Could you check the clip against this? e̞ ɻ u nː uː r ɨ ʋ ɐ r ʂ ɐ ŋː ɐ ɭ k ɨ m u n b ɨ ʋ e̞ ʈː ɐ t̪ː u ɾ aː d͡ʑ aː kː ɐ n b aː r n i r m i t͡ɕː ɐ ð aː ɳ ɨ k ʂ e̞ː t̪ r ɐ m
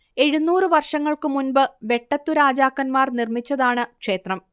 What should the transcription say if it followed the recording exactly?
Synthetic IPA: e̞ ɻ u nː uː r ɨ ʋ ɐ r ʂ ɐ ŋː ɐ ɭ k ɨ m u n b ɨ ʋ e̞ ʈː ɐ t̪ː u ɾ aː d͡ʑ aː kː ɐ n m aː r n i r m i t͡ɕː ɐ ð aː ɳ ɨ k ʂ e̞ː t̪ r ɐ m